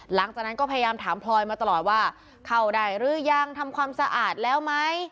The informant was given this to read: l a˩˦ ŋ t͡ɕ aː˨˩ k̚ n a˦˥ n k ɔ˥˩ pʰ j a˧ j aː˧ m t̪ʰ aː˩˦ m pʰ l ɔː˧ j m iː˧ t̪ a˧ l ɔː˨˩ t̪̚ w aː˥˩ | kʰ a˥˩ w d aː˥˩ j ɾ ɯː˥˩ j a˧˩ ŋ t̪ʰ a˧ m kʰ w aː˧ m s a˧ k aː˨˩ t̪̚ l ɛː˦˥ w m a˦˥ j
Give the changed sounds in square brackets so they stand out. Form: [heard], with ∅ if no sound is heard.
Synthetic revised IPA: l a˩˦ ŋ t͡ɕ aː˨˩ k̚ n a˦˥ n k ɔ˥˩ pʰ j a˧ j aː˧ m t̪ʰ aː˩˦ m pʰ l ɔː˧ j m [aː˧] t̪ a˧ l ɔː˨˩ t̪̚ w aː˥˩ | kʰ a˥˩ w d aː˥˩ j ɾ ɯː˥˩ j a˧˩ ŋ t̪ʰ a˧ m kʰ w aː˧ m s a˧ [ʔ] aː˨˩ t̪̚ l ɛː˦˥ w m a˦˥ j